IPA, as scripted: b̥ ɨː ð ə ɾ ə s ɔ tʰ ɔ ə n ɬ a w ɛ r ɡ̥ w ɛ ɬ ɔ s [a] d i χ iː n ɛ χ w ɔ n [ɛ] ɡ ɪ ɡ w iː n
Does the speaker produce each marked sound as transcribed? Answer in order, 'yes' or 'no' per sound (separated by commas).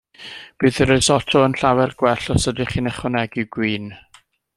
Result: no, yes